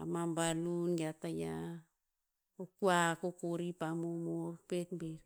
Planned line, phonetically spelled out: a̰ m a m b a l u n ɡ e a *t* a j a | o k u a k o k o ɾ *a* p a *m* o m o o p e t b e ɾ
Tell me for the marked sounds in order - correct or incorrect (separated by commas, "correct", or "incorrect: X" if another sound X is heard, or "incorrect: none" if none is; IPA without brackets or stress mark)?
correct, incorrect: i, correct